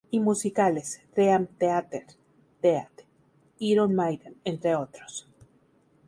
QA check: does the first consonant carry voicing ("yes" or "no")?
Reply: yes